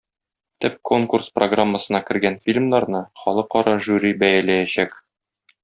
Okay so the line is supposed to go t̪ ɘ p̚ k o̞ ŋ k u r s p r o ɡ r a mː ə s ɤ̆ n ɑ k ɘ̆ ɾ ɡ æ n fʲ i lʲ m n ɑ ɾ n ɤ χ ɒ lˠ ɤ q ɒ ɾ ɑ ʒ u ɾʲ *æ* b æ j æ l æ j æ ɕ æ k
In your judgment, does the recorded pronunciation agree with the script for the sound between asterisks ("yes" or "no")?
no